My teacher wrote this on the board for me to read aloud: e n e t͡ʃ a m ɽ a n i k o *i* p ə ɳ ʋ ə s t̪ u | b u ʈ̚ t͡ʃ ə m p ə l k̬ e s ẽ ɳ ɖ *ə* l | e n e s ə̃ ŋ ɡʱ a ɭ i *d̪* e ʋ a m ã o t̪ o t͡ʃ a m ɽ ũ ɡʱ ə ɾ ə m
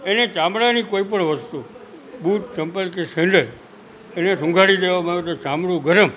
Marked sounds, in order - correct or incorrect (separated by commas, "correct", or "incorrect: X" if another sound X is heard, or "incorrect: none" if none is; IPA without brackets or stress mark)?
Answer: correct, correct, correct